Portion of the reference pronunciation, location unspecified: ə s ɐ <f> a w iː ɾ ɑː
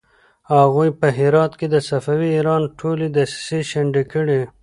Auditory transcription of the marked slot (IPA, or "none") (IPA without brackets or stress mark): f